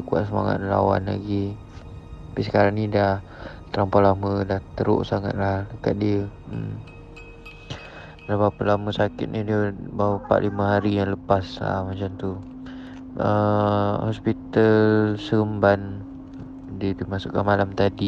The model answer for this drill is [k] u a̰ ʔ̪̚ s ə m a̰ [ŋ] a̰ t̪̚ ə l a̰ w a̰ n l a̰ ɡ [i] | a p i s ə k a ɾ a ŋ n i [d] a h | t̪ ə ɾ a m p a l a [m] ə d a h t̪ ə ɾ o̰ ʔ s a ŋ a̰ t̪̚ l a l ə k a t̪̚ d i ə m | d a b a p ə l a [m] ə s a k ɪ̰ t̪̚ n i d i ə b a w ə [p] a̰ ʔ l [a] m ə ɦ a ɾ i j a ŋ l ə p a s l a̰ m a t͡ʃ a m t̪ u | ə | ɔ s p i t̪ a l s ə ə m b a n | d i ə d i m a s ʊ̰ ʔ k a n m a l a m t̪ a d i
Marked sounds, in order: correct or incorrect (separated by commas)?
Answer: correct, correct, correct, correct, correct, correct, correct, incorrect